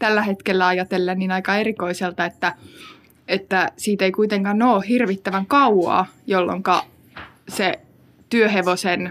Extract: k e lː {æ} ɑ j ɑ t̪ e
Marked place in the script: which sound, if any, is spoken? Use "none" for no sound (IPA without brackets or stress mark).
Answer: æ